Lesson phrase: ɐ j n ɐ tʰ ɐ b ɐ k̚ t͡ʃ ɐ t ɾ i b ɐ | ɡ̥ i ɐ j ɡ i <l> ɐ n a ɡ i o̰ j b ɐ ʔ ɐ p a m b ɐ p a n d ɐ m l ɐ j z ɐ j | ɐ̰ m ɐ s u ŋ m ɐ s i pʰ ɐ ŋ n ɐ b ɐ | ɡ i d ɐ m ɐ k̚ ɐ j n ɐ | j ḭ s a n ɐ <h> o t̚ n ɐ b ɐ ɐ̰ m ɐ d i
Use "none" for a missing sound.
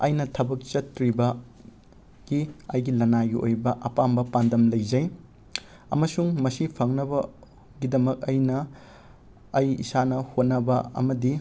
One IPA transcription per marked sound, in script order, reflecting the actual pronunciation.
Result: l, h

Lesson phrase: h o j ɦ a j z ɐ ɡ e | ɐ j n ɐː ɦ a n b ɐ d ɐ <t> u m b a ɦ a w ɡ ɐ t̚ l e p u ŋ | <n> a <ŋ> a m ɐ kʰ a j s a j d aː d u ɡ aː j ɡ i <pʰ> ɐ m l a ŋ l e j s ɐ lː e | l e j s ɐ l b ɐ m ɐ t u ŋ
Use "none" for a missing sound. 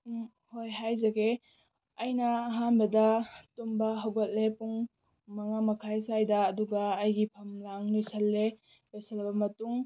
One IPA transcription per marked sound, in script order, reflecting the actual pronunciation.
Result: t, m, ŋ, pʰ

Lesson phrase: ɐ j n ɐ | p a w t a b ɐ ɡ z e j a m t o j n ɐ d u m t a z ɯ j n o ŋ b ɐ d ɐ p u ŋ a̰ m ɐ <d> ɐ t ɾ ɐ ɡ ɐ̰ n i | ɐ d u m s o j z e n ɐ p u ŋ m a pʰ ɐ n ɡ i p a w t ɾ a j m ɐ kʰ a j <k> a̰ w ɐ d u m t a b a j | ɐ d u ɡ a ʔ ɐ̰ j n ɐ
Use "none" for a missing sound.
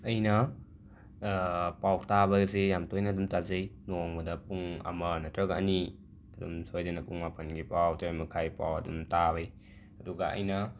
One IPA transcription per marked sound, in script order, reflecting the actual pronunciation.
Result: n, p

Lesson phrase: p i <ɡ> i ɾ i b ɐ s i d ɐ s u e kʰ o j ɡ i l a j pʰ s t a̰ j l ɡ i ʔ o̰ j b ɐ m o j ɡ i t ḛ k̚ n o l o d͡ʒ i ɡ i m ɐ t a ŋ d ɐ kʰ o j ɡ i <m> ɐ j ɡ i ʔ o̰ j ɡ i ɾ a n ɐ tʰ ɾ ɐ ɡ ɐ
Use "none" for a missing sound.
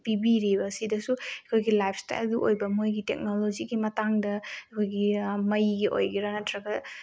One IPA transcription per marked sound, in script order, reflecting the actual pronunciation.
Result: b, m

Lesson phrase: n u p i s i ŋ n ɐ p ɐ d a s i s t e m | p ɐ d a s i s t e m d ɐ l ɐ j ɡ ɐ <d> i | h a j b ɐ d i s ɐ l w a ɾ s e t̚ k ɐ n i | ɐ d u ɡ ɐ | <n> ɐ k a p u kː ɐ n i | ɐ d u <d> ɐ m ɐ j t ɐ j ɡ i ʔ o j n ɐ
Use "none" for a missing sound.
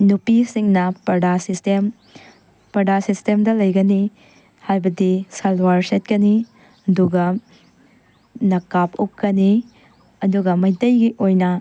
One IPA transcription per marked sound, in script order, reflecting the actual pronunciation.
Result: n, n, ɡ

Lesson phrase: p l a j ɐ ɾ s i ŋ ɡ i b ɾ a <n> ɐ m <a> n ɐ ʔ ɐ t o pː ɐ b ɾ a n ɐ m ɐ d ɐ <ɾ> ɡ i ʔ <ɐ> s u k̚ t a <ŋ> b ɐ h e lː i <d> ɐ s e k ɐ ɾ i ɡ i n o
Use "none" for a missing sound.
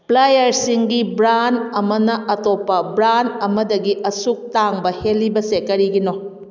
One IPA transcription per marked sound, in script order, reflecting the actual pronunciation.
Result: n, ɐ, none, ɐ, ŋ, b

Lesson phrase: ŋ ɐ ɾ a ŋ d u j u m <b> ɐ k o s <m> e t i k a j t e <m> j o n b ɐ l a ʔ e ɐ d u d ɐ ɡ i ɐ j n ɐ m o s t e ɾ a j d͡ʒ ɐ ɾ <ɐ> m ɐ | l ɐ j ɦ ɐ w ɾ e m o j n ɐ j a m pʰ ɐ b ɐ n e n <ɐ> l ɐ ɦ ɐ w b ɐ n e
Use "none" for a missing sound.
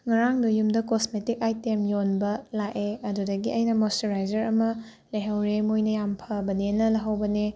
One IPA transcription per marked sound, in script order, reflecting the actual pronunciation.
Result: d, m, m, ɐ, ɐ

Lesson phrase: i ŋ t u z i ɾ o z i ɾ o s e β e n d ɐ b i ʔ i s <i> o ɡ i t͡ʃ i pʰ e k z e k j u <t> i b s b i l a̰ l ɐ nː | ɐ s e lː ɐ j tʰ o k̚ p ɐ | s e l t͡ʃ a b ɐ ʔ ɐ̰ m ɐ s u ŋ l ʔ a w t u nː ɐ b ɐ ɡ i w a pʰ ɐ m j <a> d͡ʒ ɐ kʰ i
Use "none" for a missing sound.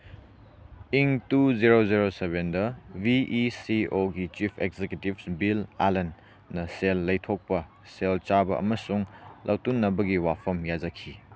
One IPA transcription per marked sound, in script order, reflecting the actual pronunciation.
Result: i, t, a

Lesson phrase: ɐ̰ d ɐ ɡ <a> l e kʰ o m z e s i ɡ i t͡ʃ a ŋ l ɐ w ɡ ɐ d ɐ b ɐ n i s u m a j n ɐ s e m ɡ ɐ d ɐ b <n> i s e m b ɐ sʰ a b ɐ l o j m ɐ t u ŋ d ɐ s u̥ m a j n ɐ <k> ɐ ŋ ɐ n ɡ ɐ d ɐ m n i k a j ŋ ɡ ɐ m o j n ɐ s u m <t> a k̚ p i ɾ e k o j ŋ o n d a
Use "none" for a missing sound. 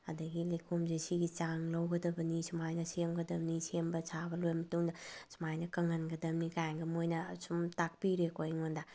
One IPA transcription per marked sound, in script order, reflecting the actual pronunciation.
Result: i, n, k, t

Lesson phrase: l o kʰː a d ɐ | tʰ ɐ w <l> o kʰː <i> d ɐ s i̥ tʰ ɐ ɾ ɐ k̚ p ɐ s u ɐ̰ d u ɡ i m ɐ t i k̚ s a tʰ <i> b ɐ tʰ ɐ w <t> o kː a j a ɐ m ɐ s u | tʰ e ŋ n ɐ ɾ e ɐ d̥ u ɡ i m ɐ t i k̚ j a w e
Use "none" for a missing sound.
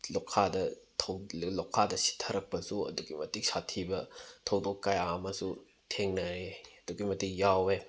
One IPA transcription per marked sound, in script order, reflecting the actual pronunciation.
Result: l, a, i, d

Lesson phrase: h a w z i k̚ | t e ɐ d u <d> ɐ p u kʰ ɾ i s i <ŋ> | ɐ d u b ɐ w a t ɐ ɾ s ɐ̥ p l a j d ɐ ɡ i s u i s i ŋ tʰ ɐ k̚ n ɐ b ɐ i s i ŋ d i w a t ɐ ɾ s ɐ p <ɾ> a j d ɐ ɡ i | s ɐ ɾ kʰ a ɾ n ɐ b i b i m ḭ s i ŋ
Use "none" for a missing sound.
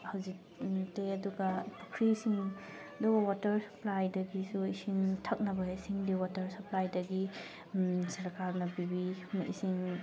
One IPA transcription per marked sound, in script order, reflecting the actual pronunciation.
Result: ɡ, ŋ, l

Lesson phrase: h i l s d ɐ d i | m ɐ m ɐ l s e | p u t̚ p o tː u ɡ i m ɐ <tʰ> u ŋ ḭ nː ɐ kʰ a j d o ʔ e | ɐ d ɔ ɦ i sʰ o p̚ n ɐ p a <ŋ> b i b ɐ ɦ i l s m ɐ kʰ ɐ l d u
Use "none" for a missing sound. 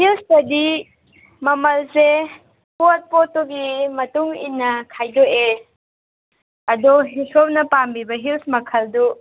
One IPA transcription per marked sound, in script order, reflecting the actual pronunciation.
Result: t, m

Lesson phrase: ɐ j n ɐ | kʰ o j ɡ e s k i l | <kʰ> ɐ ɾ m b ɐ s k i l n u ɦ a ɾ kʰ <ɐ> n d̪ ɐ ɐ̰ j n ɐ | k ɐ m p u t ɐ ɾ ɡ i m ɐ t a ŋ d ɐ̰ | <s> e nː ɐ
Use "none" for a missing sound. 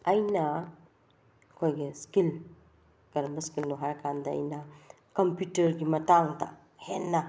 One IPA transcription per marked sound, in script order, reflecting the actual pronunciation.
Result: k, a, h

